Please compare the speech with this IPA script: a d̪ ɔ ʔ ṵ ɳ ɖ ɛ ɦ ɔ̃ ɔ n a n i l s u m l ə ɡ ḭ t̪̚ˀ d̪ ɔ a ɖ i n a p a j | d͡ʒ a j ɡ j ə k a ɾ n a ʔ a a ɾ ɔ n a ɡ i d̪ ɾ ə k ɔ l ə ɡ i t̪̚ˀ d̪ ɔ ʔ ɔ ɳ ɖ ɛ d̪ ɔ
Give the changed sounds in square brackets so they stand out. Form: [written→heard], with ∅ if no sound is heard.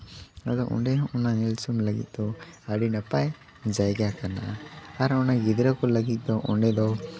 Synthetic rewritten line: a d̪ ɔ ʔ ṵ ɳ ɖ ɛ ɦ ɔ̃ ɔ n a n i l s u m l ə ɡ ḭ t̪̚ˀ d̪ ɔ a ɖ i n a p a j | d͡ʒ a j ɡ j [ə→a] k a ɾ n a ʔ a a ɾ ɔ n a ɡ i d̪ ɾ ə k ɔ l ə ɡ i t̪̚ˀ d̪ ɔ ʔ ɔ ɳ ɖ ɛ d̪ ɔ